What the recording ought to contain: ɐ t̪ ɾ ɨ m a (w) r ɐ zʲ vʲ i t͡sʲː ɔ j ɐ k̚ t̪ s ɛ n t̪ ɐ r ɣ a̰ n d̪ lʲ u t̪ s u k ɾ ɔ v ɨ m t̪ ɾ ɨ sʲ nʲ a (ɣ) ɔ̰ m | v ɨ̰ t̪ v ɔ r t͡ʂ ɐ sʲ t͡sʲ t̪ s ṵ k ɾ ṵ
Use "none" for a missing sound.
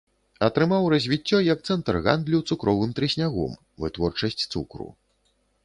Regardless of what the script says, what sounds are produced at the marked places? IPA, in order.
w, ɣ

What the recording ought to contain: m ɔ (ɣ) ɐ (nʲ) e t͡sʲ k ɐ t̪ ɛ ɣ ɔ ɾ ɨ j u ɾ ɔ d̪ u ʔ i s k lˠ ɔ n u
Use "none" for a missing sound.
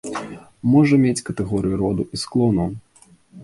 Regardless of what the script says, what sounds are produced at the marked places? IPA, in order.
ʐ, mʲ

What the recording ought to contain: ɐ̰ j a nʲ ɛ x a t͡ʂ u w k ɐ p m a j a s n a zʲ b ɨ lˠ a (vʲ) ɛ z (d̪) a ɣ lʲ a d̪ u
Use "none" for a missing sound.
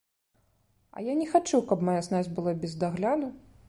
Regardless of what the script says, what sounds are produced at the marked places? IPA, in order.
bʲ, d̪

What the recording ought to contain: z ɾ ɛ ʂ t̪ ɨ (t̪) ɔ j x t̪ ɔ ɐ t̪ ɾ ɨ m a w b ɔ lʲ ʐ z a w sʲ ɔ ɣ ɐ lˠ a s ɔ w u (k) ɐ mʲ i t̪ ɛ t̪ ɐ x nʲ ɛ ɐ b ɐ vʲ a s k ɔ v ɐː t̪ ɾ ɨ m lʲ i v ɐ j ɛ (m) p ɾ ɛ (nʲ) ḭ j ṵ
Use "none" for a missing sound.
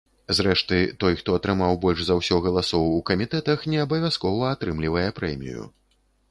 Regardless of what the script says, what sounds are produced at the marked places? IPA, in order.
t̪, k, none, mʲ

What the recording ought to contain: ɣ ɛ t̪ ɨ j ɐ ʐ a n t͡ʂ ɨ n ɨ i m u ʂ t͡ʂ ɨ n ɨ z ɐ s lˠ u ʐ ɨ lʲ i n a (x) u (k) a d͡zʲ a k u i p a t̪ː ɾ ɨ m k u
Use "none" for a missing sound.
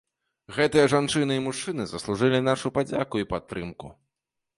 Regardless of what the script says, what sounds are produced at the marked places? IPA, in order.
ʂ, p

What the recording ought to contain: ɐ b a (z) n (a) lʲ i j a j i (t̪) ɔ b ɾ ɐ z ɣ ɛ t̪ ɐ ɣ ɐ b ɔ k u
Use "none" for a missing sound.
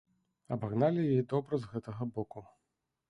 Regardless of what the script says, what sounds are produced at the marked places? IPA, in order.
ɣ, a, d̪

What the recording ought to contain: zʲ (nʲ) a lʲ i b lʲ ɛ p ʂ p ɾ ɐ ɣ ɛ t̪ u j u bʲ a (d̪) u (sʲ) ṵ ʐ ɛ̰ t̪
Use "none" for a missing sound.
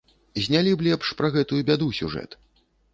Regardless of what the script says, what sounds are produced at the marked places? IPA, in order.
nʲ, d̪, sʲ

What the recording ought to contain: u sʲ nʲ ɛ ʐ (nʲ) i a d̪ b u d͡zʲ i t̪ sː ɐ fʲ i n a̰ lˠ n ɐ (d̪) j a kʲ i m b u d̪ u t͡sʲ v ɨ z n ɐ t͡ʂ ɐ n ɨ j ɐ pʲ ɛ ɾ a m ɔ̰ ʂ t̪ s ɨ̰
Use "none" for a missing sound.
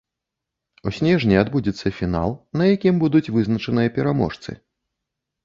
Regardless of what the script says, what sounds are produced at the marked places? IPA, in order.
nʲ, none

